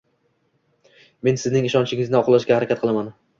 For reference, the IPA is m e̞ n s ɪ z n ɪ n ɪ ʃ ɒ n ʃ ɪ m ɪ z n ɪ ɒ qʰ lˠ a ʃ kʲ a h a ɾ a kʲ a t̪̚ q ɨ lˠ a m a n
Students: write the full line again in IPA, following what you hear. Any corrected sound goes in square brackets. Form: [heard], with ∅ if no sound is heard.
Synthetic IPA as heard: m e̞ n s ɪ z n ɪ [ŋ] ɪ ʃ ɒ n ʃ ɪ [ŋ] ɪ z n ɪ ɒ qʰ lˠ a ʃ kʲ a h a ɾ a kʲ a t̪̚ q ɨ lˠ a m a n